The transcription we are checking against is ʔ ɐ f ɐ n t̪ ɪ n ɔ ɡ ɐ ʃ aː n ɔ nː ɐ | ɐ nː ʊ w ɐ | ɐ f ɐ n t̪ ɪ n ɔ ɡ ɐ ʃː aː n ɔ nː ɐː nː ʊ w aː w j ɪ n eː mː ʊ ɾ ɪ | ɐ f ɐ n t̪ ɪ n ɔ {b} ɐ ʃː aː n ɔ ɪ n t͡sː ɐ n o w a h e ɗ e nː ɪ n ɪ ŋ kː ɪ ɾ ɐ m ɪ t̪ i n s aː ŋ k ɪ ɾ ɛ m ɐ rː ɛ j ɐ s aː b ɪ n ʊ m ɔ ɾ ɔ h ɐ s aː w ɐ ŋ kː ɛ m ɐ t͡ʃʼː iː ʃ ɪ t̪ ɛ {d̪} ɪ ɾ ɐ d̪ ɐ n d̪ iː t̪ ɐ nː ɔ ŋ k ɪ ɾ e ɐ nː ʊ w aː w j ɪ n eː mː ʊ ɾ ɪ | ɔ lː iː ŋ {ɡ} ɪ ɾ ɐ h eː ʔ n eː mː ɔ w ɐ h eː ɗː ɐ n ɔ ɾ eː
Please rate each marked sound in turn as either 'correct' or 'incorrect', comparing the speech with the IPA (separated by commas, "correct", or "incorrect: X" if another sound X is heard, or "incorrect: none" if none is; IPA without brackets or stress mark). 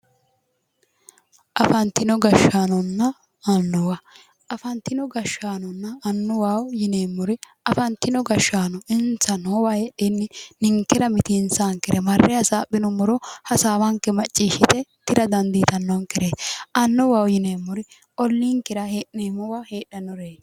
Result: incorrect: ɡ, incorrect: t̪, incorrect: k